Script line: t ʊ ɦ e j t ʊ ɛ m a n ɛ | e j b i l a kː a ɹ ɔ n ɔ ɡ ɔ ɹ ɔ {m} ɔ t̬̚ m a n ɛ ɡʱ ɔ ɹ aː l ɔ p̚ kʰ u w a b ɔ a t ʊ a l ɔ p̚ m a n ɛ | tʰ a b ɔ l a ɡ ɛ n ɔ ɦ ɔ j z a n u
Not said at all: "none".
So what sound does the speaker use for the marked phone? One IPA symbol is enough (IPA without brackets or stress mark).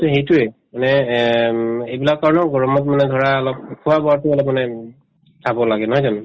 m